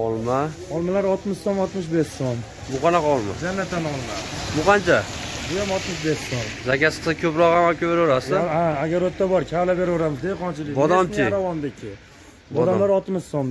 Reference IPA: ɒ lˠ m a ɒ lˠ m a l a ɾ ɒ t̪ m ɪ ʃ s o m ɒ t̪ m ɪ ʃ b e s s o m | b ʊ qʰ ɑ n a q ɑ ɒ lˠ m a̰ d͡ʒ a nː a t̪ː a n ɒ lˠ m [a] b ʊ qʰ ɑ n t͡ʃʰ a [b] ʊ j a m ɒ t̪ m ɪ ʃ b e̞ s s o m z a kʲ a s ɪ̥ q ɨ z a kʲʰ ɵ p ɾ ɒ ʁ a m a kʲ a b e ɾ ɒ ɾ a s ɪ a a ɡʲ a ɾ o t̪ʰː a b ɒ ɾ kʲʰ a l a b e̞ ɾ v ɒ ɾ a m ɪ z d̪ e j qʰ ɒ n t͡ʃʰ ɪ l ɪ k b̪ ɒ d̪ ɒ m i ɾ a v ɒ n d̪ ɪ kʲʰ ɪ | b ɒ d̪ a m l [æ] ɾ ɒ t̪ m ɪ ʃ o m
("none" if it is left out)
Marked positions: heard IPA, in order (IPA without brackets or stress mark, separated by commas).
a, b, a